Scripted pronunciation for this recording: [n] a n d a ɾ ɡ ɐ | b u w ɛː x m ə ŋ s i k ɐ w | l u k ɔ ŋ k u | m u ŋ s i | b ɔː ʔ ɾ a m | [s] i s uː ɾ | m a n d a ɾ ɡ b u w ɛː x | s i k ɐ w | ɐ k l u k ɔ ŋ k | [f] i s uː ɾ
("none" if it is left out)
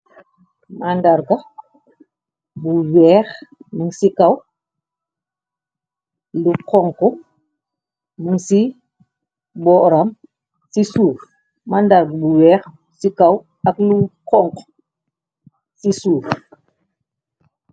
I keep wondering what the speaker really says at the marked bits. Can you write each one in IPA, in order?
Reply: m, s, s

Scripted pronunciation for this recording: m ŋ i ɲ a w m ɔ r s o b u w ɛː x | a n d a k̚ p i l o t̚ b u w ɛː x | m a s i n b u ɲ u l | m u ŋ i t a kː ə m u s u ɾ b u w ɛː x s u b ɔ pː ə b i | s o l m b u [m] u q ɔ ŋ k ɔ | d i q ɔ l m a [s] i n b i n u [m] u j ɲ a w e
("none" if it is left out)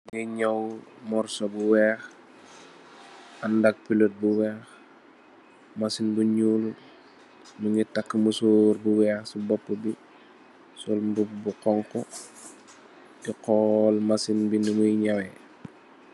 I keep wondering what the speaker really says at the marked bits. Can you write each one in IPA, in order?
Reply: b, s, m

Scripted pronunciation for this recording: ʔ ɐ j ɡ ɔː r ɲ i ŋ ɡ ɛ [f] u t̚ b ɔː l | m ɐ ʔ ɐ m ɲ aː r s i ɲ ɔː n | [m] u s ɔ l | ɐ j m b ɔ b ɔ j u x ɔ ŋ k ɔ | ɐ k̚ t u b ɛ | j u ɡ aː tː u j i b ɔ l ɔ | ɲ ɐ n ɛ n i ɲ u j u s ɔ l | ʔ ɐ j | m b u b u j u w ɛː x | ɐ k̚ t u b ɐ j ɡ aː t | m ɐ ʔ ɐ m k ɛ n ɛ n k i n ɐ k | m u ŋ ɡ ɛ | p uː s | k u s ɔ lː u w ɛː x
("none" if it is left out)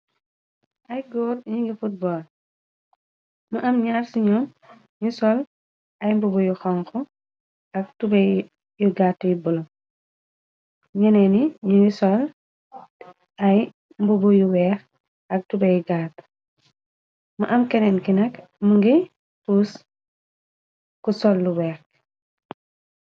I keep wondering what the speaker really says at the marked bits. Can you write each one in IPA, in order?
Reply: f, ɲ

